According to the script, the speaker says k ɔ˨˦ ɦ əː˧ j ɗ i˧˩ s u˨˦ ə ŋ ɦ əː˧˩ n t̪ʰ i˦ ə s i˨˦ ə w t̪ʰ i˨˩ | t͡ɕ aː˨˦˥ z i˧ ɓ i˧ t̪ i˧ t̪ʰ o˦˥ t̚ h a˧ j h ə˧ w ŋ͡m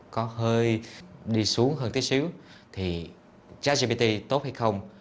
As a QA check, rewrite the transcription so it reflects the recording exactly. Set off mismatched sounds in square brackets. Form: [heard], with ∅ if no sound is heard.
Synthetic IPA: k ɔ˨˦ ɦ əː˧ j ɗ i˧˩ s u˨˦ ə ŋ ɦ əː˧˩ n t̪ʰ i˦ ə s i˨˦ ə w t̪ʰ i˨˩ | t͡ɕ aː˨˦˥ z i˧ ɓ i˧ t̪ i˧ [t̪] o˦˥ t̚ h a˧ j [x] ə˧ w ŋ͡m